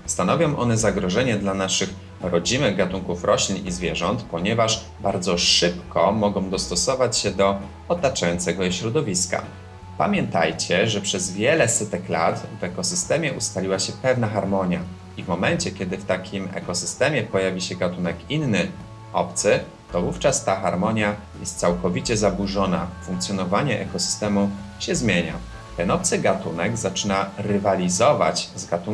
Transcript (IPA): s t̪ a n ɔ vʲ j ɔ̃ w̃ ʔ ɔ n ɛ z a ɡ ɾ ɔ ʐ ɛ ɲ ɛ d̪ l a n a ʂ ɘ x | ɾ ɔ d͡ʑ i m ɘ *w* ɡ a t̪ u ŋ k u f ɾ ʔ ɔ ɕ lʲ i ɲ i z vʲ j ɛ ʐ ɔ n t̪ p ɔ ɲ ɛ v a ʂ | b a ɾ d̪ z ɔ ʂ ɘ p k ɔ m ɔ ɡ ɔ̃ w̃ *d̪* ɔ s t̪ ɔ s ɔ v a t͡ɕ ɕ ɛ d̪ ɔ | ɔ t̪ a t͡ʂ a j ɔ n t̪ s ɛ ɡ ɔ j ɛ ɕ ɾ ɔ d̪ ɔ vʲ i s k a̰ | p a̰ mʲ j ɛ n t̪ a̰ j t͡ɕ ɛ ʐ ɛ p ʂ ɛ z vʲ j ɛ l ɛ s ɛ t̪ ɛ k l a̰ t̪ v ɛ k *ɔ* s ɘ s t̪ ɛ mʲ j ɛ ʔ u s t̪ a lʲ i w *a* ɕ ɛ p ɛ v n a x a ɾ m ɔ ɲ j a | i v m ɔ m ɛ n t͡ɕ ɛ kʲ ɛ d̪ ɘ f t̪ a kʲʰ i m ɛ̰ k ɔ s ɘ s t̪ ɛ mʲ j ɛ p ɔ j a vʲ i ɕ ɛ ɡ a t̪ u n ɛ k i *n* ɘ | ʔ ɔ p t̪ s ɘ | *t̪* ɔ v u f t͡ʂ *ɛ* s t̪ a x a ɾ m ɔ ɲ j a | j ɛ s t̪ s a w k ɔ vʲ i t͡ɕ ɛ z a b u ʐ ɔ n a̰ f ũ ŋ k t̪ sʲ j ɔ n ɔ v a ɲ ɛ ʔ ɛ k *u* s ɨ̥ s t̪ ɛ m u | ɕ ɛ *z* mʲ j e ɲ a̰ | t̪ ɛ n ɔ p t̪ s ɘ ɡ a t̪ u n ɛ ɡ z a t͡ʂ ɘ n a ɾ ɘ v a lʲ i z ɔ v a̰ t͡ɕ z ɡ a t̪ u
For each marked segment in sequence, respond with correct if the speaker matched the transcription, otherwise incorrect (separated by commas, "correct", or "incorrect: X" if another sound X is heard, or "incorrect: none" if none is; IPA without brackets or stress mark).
incorrect: ɣ, correct, correct, correct, incorrect: nː, correct, incorrect: a, incorrect: ɔ, correct